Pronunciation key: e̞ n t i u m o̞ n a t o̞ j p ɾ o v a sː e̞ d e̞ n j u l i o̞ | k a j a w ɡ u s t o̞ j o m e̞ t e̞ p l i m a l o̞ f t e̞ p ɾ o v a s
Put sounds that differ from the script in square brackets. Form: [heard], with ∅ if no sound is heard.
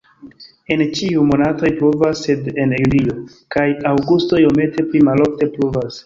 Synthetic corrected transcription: e̞ n [t͡ʃ] i u m o̞ n a t o̞ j p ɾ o v a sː e̞ d e̞ n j u l i o̞ | k a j a w ɡ u s t o̞ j o m e̞ t e̞ p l i m a l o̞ f t e̞ p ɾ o v a s